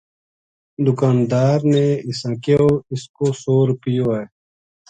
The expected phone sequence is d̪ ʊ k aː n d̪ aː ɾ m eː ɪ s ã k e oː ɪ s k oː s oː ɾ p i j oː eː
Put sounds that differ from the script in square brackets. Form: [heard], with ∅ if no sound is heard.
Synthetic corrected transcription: d̪ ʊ k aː n d̪ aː ɾ [n] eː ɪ s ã k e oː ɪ s k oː s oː ɾ p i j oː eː

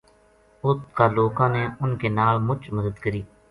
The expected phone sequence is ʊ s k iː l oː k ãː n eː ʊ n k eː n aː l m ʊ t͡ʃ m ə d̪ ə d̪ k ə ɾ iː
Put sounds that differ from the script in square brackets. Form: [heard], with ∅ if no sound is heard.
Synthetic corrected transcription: ʊ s k [aː] l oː k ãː n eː ʊ n k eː n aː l m ʊ t͡ʃ m ə d̪ ə d̪ k ə ɾ iː

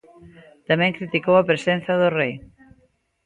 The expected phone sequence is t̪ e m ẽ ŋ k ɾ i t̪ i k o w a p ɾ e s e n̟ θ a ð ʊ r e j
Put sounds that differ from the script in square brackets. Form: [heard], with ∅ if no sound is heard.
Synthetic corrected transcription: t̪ [a] m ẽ ŋ k ɾ i t̪ i k o w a p ɾ e s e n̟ θ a ð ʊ r e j

